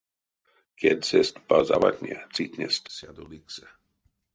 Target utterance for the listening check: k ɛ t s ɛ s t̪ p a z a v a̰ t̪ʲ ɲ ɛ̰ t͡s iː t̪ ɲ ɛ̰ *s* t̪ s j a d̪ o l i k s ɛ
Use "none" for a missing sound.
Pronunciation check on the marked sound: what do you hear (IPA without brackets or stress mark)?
s